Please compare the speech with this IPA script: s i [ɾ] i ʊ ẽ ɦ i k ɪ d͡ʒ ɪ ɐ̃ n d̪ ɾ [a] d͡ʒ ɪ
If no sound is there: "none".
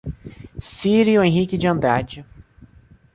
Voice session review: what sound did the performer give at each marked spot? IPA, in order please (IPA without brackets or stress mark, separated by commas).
ɾ, a